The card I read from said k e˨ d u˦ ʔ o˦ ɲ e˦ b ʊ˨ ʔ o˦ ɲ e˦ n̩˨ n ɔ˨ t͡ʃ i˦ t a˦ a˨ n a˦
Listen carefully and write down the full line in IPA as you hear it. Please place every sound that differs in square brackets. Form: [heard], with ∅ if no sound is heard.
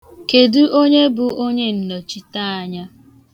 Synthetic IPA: k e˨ d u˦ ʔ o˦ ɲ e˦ b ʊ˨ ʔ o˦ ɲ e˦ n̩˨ n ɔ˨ t͡ʃ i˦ t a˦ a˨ [ɲ] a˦